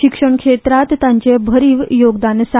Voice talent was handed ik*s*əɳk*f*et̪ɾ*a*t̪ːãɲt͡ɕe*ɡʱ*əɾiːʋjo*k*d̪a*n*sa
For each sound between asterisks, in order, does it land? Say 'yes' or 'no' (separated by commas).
no, no, yes, no, no, yes